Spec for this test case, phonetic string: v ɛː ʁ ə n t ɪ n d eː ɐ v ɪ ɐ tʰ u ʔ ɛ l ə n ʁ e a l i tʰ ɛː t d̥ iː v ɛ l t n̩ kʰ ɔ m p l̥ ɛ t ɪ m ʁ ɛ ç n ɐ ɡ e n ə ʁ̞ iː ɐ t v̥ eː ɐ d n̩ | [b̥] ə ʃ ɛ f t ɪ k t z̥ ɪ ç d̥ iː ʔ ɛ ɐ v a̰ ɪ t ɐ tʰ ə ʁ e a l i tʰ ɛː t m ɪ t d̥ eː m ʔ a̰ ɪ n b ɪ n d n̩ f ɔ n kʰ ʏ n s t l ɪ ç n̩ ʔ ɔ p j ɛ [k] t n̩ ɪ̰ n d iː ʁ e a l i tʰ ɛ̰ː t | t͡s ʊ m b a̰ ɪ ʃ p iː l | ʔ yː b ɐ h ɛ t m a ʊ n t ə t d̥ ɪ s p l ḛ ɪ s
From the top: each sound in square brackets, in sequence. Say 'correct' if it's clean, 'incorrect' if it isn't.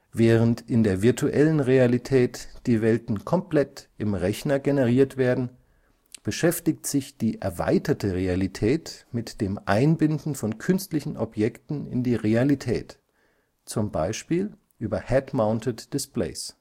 correct, correct

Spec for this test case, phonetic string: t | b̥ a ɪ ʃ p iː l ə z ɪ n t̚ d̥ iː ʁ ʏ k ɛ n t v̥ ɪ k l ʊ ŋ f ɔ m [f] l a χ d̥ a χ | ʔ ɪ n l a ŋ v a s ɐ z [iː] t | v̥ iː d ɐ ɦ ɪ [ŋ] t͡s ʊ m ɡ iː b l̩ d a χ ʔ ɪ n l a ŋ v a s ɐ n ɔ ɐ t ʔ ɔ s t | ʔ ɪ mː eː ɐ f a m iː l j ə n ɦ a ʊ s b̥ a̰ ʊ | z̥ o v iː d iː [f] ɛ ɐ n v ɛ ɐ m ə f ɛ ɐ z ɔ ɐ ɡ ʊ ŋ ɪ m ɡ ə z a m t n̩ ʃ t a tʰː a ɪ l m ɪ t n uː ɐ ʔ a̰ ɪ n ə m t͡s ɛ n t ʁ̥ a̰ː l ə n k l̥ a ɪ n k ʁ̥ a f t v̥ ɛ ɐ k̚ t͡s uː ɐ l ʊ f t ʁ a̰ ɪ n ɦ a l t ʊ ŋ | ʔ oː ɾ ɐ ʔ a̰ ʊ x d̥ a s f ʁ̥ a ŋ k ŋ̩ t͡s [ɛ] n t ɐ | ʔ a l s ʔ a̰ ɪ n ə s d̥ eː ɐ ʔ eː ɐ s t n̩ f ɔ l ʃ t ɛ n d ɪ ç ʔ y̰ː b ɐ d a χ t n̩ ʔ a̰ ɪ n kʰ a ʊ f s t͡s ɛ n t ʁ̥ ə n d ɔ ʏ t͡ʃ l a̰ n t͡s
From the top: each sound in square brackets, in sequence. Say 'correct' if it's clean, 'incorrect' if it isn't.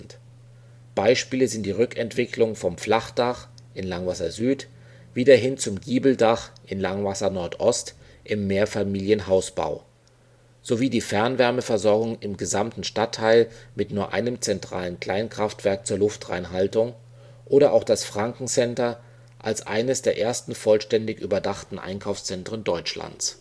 correct, incorrect: yː, incorrect: n, correct, correct

